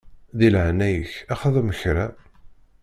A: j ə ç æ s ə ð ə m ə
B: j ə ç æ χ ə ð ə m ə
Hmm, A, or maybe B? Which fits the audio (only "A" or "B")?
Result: B